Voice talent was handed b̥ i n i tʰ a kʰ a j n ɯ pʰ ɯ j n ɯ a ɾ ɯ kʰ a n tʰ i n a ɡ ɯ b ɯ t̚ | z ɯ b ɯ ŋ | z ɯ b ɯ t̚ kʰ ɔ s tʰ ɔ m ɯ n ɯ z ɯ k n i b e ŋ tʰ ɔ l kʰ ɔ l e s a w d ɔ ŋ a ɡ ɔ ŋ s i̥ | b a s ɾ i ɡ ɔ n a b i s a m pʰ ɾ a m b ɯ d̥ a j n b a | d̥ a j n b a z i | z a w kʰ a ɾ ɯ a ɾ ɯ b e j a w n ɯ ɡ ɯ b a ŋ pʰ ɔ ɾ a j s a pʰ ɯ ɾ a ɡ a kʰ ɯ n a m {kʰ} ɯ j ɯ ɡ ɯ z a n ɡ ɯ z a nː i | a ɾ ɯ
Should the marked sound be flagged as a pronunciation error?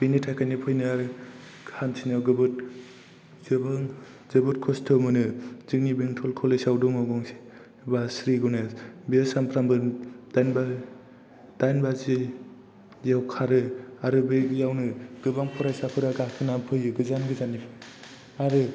yes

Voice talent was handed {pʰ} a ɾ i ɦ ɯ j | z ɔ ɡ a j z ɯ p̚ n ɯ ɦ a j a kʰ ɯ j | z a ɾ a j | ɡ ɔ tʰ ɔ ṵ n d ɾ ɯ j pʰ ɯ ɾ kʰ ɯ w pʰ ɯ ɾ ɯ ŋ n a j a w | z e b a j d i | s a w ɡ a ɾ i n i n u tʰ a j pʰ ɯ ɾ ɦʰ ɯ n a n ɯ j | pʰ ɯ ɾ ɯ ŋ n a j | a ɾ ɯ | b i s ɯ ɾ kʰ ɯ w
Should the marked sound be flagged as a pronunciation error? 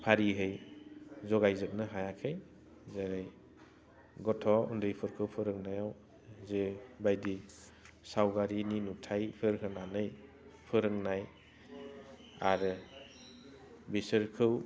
no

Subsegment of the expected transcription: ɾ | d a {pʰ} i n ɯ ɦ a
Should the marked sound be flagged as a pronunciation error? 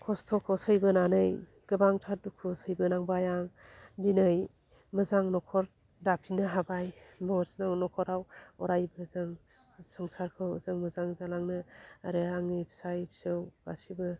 no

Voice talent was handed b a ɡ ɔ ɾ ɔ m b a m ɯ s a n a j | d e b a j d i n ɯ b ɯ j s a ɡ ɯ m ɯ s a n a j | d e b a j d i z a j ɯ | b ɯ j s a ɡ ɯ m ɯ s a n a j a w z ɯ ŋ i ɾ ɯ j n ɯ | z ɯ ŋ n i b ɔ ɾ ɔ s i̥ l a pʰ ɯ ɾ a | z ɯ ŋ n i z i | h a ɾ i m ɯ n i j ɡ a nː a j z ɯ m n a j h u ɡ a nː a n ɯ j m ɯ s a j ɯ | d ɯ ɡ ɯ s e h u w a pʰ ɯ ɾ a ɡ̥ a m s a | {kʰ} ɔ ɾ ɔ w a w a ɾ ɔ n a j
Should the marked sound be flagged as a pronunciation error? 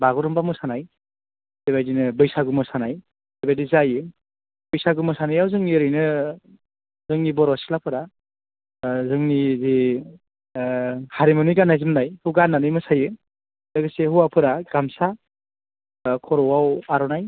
no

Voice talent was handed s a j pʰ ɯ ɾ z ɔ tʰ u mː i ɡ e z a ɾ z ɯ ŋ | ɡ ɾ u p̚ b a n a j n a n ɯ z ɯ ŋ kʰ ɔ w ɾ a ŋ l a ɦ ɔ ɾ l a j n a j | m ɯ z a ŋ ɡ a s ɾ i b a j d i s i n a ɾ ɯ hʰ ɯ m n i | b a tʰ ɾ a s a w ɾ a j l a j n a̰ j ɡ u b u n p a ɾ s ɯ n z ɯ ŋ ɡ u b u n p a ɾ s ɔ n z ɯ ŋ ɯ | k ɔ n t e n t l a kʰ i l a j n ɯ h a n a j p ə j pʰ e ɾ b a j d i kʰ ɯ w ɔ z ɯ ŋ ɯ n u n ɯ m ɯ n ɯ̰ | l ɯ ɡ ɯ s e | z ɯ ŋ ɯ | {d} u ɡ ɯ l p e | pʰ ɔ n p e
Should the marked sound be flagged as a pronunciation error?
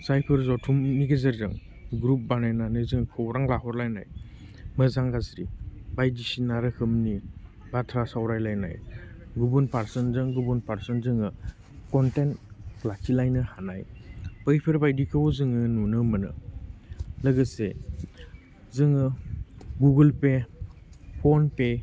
yes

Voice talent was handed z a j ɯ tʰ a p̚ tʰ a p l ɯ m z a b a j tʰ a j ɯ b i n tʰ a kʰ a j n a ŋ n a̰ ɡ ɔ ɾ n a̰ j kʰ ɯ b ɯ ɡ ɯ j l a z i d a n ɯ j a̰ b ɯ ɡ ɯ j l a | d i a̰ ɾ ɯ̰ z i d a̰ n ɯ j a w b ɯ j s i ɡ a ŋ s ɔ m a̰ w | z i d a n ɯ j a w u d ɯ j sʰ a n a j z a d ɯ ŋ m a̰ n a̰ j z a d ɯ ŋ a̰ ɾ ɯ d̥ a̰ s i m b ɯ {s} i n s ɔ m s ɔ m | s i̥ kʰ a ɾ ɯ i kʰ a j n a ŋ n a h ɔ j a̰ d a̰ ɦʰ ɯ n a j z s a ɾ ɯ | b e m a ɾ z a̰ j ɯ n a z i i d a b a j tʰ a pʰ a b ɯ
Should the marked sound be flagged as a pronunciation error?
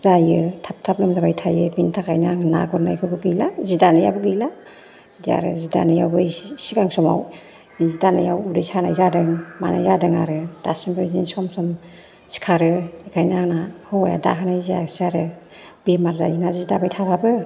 yes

